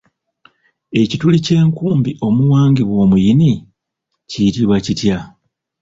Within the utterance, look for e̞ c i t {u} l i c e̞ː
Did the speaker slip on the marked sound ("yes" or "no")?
no